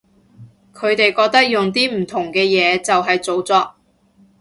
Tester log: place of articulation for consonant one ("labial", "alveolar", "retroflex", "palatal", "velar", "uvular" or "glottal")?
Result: velar